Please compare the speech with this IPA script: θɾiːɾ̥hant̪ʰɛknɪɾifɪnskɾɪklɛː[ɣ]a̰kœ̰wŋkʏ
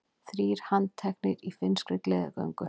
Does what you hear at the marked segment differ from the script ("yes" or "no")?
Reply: yes